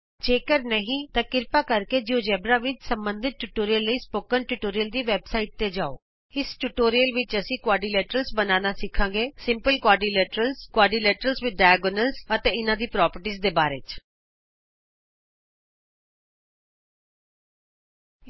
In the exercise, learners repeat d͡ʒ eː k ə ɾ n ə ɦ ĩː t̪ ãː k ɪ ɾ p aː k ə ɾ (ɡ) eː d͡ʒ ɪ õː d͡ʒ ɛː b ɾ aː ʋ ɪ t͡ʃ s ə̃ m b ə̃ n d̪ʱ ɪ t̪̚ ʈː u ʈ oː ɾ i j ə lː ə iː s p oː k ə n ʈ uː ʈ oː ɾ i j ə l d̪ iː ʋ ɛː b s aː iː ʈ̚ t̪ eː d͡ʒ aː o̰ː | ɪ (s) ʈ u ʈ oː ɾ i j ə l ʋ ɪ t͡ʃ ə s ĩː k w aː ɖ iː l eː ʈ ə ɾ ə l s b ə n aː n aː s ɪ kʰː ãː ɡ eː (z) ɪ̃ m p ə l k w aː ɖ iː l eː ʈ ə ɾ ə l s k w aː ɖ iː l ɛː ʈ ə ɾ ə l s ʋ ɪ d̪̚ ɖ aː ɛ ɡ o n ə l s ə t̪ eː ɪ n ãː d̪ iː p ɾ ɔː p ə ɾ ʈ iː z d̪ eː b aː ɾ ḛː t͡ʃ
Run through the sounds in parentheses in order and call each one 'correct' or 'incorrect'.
incorrect: k, correct, incorrect: s

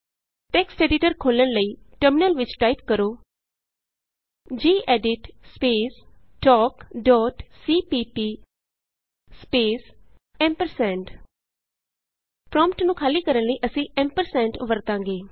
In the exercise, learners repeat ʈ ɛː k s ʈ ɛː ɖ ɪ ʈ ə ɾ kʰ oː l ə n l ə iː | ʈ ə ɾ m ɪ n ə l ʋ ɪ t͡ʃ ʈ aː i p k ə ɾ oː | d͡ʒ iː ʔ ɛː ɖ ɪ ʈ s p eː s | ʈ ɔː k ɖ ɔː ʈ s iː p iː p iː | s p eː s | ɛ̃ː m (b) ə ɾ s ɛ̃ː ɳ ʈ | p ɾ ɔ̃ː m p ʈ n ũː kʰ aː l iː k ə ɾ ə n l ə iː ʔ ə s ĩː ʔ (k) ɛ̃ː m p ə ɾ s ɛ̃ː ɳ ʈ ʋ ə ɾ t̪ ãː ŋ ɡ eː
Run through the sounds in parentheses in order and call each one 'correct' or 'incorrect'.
incorrect: p, incorrect: p

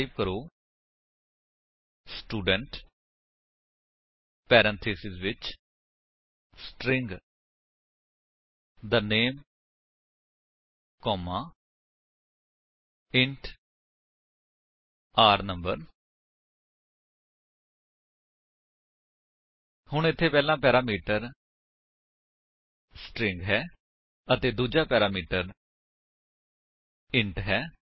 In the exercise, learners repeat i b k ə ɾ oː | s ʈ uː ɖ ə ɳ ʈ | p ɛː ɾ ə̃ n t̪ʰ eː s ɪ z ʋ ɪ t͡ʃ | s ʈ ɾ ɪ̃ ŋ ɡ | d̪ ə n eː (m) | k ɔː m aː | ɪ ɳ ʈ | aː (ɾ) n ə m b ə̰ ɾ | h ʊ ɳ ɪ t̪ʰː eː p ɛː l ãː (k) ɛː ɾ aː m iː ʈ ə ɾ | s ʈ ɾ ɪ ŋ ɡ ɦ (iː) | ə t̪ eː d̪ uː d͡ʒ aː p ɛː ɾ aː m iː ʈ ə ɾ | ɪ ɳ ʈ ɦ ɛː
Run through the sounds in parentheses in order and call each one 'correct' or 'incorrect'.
correct, correct, incorrect: p, incorrect: ɛː

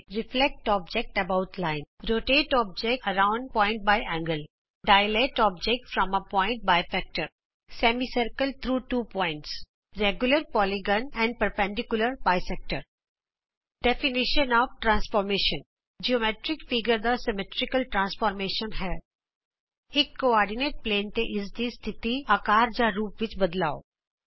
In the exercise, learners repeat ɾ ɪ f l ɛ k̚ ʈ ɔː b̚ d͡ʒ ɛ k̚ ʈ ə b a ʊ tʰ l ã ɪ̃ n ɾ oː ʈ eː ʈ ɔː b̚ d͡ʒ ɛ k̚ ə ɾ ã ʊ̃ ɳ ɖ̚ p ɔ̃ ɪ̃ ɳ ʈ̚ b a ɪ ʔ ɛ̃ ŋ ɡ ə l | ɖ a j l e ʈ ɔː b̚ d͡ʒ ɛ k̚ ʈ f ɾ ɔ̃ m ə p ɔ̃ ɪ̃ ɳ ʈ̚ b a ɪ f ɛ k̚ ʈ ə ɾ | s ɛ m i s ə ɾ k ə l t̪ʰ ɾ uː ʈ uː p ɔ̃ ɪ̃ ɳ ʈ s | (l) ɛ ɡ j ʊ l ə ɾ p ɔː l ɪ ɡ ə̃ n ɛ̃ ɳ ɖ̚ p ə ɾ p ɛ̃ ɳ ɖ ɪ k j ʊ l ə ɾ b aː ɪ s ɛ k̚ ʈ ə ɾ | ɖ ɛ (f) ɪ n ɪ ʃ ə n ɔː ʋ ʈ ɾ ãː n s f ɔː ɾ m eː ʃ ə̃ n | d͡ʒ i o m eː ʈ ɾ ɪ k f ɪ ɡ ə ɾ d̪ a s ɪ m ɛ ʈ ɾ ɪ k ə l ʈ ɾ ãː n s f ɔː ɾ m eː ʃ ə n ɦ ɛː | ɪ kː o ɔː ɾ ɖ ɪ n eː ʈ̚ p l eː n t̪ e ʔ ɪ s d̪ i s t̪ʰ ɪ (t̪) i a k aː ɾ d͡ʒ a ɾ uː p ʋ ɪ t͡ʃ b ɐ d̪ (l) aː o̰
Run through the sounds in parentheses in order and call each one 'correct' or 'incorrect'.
incorrect: ɾ, correct, correct, correct

